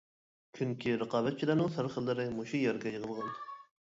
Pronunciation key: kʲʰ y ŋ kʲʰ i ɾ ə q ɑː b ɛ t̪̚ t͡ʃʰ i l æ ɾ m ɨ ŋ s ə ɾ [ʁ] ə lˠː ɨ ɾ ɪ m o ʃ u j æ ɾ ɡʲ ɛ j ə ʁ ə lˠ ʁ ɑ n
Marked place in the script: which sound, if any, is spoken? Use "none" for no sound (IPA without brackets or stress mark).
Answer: χ